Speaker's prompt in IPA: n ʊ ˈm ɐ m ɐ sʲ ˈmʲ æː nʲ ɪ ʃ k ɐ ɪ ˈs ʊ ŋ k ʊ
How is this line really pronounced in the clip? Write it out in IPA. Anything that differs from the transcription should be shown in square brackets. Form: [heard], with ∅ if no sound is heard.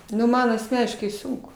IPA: n ʊ ˈm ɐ [n] ɐ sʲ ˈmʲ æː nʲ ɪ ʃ k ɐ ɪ ˈs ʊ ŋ k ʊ